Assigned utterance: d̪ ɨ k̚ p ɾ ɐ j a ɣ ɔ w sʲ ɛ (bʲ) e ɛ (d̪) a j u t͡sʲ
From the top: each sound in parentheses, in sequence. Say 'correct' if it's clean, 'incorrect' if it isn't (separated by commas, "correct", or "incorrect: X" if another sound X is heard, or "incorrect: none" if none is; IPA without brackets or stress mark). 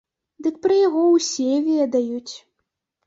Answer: incorrect: vʲ, correct